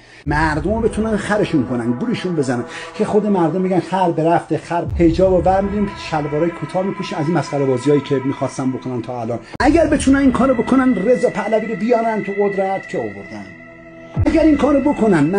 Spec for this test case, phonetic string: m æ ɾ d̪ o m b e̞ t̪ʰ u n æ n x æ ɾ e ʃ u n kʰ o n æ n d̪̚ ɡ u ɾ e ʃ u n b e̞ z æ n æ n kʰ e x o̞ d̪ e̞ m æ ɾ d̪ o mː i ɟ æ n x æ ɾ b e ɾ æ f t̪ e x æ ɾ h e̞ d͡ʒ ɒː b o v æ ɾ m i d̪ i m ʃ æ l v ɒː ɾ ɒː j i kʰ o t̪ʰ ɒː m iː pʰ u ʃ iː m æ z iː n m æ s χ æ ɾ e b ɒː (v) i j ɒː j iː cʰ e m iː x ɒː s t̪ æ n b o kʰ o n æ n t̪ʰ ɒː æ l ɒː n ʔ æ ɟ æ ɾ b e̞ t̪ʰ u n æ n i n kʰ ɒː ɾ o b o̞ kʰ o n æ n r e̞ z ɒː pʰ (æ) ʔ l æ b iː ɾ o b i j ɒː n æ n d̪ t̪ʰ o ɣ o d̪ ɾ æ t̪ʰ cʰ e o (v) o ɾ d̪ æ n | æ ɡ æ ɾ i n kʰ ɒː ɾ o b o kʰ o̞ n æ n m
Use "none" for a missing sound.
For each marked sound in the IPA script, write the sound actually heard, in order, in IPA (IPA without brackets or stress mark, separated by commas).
z, æ, v